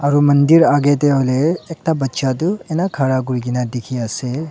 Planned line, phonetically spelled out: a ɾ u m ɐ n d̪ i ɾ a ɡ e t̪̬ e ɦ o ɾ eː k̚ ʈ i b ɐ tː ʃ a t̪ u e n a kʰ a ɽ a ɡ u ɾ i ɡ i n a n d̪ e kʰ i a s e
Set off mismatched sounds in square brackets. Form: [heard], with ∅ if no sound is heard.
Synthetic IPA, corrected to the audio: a ɾ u m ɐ n d̪ i ɾ a ɡ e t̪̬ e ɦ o [l] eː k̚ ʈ [a] b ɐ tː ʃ a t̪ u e n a kʰ a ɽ a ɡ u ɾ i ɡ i n a [∅] d̪ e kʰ i a s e